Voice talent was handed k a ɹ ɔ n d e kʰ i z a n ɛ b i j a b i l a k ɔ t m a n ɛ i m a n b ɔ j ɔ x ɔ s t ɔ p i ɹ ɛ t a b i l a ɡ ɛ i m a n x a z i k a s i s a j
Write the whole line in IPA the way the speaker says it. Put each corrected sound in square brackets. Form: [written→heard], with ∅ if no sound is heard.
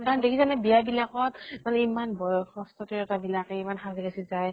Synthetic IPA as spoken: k a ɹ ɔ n d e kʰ i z a n ɛ b i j a b i l a k ɔ t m a n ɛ i m a n b ɔ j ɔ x ɔ s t ɔ [p→t] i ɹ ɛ t a b i l a [ɡ→k] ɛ i m a n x a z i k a s i [s→z] a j